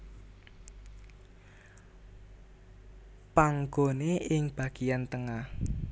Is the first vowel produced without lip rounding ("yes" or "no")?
yes